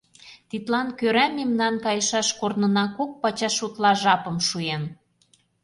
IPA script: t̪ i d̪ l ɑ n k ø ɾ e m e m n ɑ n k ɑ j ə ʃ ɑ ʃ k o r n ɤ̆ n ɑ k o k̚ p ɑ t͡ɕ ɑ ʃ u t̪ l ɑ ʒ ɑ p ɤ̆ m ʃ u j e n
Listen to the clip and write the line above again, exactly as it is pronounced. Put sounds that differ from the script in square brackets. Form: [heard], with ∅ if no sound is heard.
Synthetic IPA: t̪ i [t̪] l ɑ n k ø ɾ [æ] m e m n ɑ n k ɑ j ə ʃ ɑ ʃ k o r n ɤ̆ n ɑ k o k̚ p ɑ t͡ɕ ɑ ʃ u t̪ l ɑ ʒ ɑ p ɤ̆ m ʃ u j e n

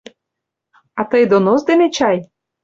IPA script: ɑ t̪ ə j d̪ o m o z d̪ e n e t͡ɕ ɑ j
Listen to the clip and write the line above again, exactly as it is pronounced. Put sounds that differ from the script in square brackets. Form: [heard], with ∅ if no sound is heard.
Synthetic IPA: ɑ t̪ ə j d̪ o [n] o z d̪ e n e t͡ɕ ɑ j

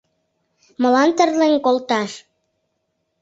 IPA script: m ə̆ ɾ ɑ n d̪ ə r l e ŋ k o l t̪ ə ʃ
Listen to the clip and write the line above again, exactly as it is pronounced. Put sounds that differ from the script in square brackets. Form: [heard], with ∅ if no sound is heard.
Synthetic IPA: m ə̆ [l] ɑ n [t̪] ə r l e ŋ k o l t̪ [ɑ] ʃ

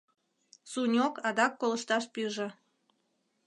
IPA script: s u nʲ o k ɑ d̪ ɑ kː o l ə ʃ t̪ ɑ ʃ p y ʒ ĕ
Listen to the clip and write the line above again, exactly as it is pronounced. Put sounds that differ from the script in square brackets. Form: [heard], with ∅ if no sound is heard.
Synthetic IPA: s u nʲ o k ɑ d̪ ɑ kː o l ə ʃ t̪ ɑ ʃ p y ʒ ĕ

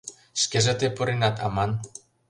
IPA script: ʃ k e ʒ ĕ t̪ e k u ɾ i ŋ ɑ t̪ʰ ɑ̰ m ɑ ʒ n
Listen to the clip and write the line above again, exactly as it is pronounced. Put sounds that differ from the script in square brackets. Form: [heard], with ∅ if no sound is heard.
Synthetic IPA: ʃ k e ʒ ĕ t̪ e [p] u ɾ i [n] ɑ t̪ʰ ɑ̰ m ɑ [∅] n

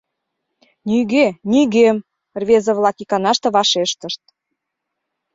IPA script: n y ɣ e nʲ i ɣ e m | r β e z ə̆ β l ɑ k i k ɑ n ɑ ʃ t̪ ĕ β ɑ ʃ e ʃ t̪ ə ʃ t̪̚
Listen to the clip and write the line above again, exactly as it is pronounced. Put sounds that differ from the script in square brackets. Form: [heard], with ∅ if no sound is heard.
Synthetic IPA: n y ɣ e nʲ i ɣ e m | r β e z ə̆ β l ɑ k i k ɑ n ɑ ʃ t̪ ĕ β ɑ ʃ e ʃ t̪ ə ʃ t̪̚

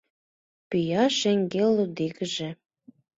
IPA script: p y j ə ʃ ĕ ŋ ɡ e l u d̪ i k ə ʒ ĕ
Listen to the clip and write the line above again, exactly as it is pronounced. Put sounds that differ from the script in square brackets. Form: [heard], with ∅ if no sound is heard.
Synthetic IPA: p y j [ɑ] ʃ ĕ ŋ ɡ e l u d̪ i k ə ʒ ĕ

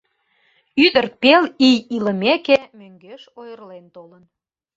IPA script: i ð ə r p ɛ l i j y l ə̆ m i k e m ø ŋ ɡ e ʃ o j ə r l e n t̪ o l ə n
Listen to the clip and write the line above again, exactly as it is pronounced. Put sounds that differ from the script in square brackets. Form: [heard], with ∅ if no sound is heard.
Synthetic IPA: [y] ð ə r p [e] l i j [i] l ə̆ m [e] k e m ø ŋ ɡ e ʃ o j ə r l e n t̪ o l ə n

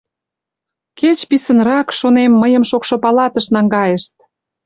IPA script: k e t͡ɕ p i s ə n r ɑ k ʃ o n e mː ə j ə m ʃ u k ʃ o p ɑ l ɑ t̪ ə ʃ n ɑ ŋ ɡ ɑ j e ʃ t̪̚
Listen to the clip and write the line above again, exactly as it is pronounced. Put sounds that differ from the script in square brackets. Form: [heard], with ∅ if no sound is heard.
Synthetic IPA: k e t͡ɕ p i s ə n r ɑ k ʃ o n e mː ə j ə m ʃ [o] k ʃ o p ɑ l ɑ t̪ ə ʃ n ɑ ŋ ɡ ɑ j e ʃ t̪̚

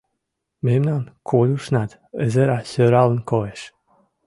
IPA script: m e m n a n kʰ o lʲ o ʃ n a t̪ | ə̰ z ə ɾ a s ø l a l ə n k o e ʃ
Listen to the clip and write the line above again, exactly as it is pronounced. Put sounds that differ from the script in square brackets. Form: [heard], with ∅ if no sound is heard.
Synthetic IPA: m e m n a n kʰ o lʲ [u] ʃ n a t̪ | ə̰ z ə ɾ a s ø [ɾ] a l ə n k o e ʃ

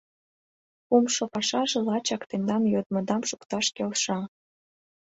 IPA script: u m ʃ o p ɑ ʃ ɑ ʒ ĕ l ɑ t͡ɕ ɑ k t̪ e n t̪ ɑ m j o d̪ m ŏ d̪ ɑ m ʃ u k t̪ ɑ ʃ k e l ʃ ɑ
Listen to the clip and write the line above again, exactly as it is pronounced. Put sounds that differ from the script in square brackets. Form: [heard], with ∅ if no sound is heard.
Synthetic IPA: u m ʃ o p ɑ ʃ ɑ ʒ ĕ l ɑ t͡ɕ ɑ k t̪ e n [d̪] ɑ m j o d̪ m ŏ d̪ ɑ m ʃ u k t̪ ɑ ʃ k e l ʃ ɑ

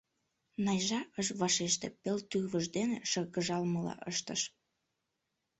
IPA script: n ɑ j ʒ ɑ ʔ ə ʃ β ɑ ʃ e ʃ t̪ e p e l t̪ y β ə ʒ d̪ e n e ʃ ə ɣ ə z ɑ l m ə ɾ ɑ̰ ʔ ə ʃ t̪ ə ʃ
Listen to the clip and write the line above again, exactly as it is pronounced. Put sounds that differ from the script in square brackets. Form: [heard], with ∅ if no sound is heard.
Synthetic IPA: n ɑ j ʒ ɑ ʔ ə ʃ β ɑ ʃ e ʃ t̪ e p e l t̪ y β ə ʒ d̪ e n e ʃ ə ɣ ə [ʒ] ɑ l m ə [l] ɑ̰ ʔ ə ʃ t̪ ə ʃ

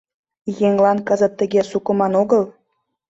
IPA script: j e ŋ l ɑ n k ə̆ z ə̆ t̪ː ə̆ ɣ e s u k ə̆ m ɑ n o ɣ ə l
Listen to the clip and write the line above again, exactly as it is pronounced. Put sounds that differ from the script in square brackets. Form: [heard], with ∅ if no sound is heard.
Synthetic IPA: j e ŋ l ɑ n k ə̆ z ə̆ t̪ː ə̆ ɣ e s u k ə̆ m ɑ n o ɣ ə l

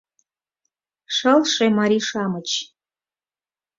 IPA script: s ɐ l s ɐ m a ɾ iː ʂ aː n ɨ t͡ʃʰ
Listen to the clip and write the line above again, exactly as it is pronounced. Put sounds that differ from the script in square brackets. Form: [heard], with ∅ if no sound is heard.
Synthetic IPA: [ʂ] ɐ l [ʂ] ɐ m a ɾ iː ʂ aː [m] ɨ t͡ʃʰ

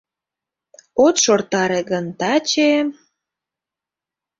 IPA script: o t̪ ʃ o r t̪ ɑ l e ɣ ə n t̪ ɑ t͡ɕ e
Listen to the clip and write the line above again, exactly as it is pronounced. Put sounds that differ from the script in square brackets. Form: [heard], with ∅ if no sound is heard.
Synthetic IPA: o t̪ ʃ o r t̪ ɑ [ɾ] e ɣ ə n t̪ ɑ t͡ɕ e

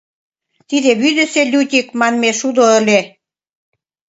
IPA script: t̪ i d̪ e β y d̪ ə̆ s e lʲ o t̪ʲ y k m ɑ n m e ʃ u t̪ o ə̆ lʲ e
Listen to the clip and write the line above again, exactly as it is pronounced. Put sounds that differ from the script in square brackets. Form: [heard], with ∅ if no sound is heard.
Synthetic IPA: t̪ i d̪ e β y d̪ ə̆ s e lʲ [u] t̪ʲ [i] k m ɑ n m e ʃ u [d̪] o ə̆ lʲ e

